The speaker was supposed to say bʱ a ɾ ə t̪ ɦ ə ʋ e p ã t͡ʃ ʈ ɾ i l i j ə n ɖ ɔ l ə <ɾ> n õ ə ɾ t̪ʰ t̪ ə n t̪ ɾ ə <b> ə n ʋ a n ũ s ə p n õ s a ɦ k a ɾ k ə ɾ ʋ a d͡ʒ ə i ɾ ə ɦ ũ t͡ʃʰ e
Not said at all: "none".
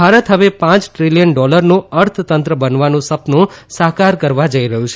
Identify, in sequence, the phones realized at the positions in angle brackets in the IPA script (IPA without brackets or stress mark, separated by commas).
ɾ, b